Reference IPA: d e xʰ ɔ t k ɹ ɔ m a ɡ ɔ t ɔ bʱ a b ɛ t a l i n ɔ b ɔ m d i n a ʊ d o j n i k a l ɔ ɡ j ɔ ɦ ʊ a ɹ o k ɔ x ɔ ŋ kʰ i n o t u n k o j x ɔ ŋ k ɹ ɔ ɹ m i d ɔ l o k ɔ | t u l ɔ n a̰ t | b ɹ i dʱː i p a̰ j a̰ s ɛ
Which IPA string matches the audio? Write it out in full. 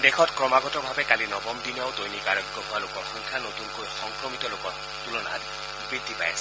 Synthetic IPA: d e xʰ ɔ t k ɹ ɔ m a ɡ ɔ t ɔ bʱ a b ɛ k a l i n ɔ b ɔ m d i n a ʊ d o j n i k a ɹ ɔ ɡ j ɔ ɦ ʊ a l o k ɔ x ɔ ŋ kʰ a n o t u n k o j x ɔ ŋ k ɹ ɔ m i t ɔ l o k ɔ | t u l ɔ n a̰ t | b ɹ i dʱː i p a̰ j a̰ s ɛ